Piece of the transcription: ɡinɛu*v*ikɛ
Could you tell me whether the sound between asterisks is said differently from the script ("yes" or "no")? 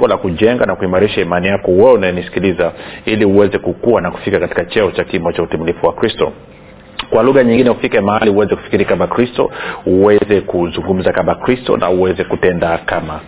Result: yes